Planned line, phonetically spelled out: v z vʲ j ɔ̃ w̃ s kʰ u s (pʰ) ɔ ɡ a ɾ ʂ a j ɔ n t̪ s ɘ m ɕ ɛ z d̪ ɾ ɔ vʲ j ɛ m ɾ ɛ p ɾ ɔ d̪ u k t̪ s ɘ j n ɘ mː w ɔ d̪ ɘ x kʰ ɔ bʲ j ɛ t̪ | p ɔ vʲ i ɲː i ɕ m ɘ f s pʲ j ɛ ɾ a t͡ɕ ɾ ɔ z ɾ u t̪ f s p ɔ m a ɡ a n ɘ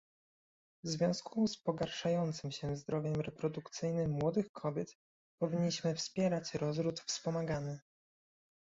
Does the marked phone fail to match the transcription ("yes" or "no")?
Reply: yes